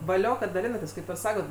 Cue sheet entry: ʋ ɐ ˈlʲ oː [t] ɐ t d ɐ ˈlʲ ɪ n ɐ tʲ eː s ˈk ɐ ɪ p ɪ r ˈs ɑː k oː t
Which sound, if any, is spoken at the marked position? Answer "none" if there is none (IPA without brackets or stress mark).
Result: k